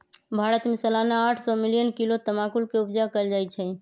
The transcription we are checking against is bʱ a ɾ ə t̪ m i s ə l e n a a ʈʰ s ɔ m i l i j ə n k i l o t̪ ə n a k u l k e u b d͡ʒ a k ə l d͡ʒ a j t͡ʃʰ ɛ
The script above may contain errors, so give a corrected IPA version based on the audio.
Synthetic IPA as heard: bʱ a ɾ ə t̪ m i s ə l a n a a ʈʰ s ɔ m i l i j ə n k i l o t̪ ə m a k u l k e u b d͡ʒ a k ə l d͡ʒ a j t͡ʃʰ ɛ